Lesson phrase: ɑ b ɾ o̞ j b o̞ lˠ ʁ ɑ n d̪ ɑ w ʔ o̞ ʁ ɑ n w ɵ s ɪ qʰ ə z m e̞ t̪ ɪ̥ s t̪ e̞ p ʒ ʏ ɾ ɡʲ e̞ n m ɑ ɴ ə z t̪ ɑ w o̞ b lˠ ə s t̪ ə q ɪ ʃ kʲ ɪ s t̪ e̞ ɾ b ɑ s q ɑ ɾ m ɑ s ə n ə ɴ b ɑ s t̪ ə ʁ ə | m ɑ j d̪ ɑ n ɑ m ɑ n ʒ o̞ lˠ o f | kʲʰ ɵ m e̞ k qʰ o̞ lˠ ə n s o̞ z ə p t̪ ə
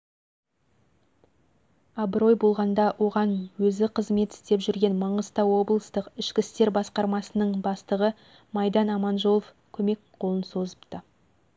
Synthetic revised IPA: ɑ b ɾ o̞ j b o̞ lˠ ʁ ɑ n d̪ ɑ w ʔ o̞ ʁ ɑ n w ɵ z ɪ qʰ ə z m e̞ t̪ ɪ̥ s t̪ e̞ p ʒ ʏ ɾ ɡʲ e̞ n m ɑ ɴ ə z t̪ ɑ w o̞ b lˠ ə s t̪ ə q ɪ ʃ kʲ ɪ s t̪ e̞ ɾ b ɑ s q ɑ ɾ m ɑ s ə n ə ɴ b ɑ s t̪ ə ʁ ə | m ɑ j d̪ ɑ n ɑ m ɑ n ʒ o̞ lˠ o f | kʲʰ ɵ m e̞ k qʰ o̞ lˠ ə n s o̞ z ə p t̪ ə